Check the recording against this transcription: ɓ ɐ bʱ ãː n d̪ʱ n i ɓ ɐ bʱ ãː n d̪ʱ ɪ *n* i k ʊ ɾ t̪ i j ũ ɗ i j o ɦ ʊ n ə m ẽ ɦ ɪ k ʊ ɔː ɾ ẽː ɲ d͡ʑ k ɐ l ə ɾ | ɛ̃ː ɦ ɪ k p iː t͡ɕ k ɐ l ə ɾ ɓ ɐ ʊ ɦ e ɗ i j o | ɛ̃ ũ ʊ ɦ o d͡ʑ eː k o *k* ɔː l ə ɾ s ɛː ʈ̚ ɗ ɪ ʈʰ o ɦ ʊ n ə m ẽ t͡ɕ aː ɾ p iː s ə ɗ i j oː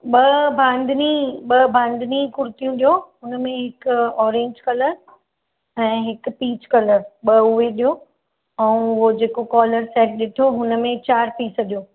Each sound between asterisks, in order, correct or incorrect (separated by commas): correct, correct